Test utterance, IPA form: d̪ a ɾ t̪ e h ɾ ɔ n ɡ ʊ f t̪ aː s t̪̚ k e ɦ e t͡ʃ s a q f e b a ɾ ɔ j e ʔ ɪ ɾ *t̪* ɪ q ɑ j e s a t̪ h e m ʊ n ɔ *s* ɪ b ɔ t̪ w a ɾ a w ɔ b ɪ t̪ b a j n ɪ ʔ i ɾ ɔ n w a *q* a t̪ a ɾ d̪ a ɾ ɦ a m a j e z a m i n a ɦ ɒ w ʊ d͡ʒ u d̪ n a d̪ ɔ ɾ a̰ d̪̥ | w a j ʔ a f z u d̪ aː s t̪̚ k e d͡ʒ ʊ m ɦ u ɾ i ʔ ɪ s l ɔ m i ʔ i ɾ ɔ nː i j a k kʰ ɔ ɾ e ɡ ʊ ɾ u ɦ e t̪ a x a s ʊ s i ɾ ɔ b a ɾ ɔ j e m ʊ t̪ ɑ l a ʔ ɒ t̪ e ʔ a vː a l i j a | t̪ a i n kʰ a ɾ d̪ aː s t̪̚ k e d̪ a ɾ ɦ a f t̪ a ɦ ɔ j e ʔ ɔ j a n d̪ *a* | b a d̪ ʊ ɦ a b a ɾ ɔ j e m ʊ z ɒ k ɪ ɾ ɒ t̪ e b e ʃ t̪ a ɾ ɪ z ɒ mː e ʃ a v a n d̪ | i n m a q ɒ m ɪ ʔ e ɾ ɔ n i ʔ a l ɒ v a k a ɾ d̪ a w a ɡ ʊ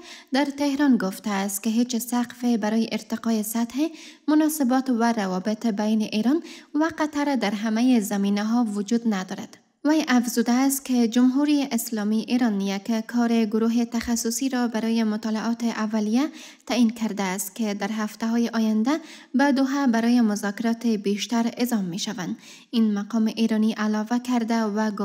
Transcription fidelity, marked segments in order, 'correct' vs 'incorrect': correct, correct, correct, correct

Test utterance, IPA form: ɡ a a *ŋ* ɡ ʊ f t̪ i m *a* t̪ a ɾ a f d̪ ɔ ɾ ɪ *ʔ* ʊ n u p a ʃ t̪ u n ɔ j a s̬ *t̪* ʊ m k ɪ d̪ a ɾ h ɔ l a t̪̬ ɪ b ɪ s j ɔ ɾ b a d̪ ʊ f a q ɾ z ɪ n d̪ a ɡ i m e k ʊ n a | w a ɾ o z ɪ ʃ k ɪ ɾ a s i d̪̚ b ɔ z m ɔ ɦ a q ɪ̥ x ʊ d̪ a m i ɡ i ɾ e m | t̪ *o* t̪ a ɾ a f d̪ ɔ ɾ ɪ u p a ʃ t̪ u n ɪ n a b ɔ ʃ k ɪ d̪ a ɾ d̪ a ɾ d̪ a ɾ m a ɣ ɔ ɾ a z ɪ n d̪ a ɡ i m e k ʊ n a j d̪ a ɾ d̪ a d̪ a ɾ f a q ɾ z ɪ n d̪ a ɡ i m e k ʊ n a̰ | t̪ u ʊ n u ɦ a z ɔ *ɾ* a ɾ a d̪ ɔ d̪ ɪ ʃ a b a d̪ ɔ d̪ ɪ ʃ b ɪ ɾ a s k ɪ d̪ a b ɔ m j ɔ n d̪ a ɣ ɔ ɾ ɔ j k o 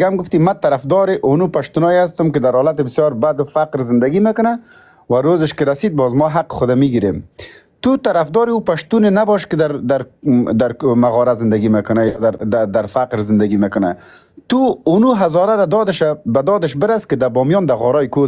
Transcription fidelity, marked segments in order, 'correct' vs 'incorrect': incorrect: m, correct, correct, correct, incorrect: u, correct

